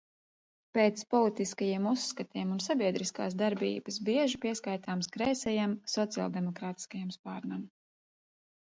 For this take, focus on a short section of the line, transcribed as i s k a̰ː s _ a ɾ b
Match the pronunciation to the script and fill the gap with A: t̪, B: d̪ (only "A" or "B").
B